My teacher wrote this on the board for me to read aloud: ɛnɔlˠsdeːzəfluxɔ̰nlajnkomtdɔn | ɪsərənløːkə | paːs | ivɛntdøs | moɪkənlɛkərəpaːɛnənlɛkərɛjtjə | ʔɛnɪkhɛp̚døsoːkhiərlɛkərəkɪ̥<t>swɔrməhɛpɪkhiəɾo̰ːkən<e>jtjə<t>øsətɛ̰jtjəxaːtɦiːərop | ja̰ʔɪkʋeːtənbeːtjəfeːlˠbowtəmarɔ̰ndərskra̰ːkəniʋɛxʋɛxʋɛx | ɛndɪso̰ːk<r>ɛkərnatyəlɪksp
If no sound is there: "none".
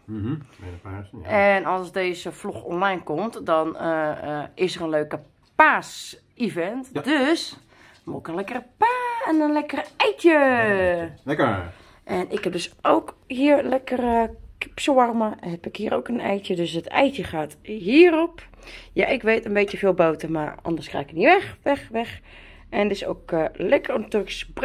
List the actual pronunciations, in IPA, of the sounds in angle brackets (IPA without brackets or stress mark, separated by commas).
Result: p, ɛ, d, l